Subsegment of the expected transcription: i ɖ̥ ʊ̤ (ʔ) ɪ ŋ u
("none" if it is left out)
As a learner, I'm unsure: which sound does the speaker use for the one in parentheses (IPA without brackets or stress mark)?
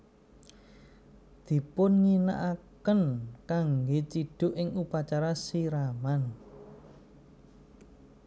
ʔ